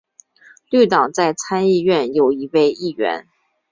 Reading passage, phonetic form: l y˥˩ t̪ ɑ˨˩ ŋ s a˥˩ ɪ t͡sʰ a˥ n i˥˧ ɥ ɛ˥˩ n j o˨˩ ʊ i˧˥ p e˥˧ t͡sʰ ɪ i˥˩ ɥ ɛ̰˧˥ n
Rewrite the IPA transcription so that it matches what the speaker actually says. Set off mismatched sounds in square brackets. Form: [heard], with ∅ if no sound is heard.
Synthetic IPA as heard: l y˥˩ t̪ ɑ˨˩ ŋ [t͡s] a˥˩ ɪ t͡sʰ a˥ n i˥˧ ɥ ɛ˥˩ n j o˨˩ ʊ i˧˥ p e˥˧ [∅] ɪ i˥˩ ɥ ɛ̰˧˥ n